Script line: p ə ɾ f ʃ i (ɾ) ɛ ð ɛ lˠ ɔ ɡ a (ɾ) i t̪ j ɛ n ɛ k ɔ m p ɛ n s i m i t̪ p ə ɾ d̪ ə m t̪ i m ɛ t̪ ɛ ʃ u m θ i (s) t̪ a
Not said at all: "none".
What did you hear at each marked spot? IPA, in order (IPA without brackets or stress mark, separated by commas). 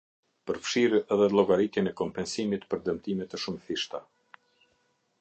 ɾ, ɾ, ʃ